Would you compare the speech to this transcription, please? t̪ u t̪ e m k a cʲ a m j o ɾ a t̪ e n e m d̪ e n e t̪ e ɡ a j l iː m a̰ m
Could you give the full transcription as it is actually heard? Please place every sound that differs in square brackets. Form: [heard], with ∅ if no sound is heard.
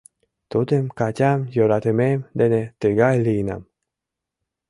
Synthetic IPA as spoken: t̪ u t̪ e m k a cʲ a m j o ɾ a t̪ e [m] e m d̪ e n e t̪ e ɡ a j l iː [n] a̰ m